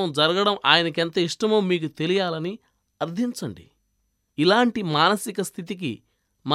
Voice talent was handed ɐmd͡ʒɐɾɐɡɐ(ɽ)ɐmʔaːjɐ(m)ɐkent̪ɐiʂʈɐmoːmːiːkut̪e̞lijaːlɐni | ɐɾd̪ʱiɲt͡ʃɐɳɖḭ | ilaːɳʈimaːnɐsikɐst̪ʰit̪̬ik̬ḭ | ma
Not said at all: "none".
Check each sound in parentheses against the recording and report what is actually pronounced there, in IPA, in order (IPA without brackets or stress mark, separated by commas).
ɽ, n